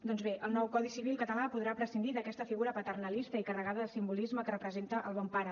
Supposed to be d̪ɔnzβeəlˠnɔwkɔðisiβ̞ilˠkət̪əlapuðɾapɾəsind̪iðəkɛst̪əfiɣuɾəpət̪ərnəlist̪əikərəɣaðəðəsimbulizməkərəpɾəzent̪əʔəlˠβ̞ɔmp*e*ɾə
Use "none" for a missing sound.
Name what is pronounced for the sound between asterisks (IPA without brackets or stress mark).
a